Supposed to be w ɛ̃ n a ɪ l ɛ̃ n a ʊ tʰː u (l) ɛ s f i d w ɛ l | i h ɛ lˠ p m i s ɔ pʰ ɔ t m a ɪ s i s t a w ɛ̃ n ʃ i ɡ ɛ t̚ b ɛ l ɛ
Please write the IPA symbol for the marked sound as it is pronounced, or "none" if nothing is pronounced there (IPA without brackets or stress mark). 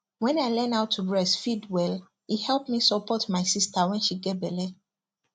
ɹ